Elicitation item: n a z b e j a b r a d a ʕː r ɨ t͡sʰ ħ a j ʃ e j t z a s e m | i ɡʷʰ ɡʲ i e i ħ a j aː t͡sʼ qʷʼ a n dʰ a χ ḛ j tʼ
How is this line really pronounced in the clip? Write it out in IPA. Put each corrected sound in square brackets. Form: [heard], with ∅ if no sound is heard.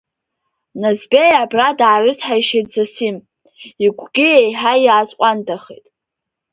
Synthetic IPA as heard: n a z b e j a b r a d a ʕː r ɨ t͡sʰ ħ a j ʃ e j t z a s [i] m | i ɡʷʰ ɡʲ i e [j] ħ a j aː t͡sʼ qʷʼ a n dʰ a χ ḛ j tʼ